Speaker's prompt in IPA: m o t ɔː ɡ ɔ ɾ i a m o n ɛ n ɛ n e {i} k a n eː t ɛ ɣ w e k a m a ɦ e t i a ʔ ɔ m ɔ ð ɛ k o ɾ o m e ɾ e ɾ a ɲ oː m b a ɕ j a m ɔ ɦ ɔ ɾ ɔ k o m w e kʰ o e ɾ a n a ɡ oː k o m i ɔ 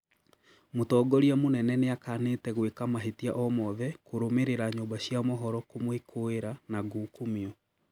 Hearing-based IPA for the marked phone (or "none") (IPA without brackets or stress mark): a